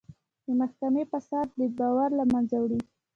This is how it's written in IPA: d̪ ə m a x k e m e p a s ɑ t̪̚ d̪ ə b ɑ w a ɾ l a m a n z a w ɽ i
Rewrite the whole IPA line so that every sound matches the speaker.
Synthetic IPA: d̪ ə m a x k a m e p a s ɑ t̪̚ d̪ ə b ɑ w a ɾ l a m a n z a w ɽ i